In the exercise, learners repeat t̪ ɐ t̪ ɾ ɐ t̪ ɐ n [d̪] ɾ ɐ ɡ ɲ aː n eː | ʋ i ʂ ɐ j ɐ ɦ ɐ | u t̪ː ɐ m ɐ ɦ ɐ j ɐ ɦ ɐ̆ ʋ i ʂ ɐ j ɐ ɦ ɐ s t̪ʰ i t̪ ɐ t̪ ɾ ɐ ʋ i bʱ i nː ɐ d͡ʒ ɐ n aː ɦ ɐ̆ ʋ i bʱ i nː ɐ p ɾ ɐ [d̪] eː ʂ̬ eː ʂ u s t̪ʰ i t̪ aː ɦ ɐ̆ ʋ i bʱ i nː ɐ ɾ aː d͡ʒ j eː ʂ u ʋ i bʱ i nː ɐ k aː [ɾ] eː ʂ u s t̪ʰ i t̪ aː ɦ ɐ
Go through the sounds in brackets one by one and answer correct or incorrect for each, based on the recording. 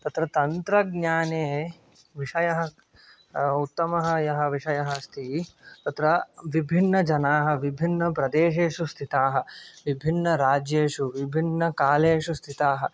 incorrect: t̪, correct, incorrect: l

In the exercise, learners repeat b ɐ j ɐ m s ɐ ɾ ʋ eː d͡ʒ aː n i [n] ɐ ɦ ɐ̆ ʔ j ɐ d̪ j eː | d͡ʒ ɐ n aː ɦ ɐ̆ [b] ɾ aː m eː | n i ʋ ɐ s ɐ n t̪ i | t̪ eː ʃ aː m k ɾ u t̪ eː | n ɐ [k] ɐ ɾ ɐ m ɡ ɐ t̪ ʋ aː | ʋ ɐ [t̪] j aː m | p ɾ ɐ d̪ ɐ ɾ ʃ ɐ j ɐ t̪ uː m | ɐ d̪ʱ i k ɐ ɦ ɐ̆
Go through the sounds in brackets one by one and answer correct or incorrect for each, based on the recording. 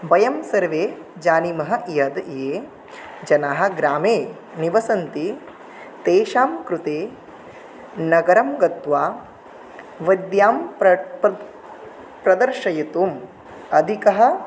incorrect: m, incorrect: ɡ, incorrect: ɡ, incorrect: d̪

